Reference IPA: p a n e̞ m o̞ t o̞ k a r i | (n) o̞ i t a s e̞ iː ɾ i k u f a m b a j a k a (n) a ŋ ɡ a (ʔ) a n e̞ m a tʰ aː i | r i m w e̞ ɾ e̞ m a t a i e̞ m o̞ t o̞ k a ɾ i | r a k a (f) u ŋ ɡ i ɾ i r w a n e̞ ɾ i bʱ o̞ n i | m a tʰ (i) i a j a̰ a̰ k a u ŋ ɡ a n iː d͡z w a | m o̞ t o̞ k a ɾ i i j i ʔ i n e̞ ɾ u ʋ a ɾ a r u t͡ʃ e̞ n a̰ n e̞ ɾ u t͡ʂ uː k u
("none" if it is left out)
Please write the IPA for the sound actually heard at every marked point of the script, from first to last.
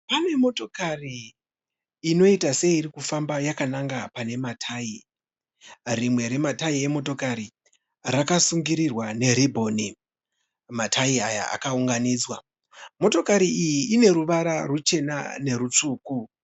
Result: n, n, p, s, a

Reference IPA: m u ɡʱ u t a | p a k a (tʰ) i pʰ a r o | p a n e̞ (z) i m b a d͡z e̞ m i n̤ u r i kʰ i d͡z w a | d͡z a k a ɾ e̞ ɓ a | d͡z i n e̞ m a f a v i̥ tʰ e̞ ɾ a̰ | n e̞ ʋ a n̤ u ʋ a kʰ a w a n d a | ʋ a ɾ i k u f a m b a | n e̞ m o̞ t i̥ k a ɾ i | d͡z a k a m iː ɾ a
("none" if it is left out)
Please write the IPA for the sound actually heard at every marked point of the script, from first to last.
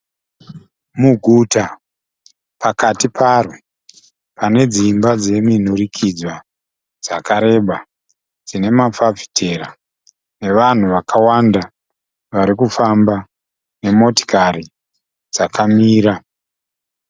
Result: t, d͡z

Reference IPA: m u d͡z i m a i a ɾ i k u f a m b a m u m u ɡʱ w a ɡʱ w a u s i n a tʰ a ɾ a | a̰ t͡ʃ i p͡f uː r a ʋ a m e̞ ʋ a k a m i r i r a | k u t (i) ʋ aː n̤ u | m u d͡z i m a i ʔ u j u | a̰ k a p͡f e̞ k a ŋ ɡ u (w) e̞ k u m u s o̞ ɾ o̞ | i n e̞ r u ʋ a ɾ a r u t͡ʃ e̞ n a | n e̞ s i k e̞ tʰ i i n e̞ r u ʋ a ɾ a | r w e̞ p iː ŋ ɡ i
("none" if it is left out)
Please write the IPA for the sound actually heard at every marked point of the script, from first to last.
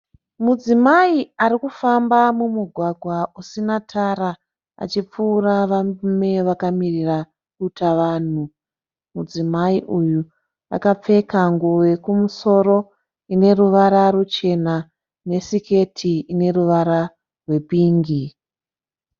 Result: a, w

